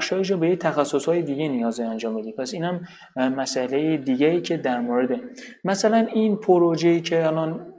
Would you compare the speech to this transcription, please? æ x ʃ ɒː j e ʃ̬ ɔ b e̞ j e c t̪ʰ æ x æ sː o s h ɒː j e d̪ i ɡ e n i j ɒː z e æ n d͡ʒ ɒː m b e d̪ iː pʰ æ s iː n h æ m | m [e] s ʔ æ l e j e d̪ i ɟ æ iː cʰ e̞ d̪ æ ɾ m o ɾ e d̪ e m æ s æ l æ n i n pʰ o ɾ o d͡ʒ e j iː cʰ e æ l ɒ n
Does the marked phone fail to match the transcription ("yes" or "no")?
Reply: yes